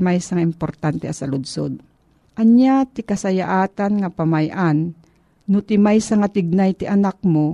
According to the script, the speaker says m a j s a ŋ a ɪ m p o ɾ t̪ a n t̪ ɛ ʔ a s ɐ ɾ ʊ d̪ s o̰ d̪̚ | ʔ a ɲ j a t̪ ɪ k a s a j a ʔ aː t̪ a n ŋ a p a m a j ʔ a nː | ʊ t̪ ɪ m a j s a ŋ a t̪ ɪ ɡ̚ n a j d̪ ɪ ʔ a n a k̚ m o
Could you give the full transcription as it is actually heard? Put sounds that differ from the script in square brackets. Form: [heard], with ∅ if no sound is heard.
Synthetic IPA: m a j s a ŋ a ɪ m p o ɾ t̪ a n t̪ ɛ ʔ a s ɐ [l] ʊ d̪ s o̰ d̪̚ | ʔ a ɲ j a t̪ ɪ k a s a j a ʔ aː t̪ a n ŋ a p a m a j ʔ a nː | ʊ t̪ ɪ m a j s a ŋ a t̪ ɪ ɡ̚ n a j [t̪] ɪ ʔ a n a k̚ m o